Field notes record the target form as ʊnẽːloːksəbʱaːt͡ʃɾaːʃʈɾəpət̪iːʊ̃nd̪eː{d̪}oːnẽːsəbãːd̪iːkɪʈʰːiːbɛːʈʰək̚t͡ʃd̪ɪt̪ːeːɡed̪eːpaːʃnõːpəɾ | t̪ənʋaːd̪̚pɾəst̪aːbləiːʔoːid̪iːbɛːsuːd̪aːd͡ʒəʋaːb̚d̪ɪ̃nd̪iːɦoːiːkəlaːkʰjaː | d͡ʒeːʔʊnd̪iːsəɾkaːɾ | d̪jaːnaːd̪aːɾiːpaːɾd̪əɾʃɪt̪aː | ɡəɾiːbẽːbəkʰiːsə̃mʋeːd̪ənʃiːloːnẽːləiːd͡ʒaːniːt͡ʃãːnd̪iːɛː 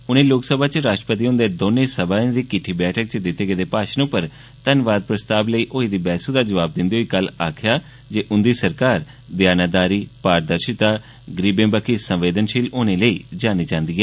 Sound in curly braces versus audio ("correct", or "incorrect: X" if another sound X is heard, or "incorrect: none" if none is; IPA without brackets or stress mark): correct